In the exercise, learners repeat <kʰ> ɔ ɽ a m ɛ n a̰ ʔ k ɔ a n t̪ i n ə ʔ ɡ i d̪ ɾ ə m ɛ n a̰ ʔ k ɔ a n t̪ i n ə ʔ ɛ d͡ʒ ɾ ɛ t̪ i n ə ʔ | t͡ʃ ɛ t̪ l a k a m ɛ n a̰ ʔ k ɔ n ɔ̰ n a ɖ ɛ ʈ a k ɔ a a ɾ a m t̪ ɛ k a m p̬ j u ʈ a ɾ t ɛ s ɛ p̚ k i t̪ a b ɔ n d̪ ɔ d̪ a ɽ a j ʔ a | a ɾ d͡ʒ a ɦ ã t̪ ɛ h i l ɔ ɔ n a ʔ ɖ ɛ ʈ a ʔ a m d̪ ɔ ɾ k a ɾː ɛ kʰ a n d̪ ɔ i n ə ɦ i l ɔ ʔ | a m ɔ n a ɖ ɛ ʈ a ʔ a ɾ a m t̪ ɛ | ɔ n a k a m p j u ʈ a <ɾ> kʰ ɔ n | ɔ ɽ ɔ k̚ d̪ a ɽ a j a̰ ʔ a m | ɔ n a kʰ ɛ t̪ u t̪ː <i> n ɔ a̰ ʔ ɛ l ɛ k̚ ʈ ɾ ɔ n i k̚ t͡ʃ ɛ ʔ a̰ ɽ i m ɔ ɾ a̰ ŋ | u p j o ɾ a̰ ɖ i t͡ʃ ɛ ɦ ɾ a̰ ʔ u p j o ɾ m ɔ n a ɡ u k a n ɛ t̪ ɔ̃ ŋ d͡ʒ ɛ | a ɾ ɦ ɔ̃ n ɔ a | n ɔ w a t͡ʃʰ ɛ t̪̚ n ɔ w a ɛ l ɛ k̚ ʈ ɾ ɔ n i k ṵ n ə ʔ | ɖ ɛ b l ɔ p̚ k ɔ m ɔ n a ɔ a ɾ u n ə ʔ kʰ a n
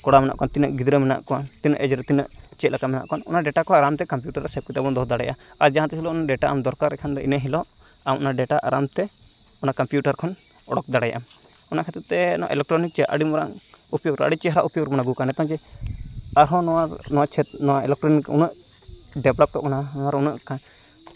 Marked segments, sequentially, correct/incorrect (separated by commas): incorrect, correct, incorrect